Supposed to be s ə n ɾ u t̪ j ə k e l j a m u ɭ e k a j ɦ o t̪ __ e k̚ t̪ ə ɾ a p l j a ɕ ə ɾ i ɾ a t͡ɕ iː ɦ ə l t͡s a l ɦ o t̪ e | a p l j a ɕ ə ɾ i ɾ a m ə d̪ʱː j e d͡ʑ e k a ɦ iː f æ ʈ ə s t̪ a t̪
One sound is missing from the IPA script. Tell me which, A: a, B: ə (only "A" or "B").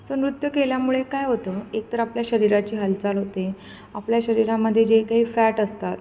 B